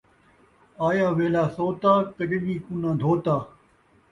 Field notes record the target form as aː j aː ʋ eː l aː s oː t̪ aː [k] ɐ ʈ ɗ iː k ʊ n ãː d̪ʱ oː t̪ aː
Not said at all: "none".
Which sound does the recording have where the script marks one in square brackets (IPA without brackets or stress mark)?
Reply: k